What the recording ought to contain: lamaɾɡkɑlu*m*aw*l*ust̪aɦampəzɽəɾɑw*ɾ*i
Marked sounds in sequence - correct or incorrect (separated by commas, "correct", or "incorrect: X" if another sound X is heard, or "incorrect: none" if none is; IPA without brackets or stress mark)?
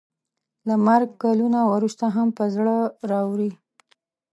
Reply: incorrect: n, incorrect: ɾ, correct